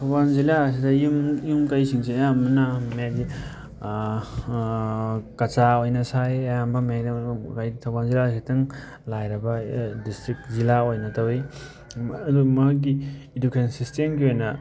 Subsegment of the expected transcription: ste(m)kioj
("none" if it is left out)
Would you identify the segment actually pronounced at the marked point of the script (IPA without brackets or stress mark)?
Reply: m